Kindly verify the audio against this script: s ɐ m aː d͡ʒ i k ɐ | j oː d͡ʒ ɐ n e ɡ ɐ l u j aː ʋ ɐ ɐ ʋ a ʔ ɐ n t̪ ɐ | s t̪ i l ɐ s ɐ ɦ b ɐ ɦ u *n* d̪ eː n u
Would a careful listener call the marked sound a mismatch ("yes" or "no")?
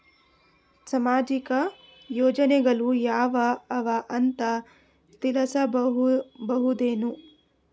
yes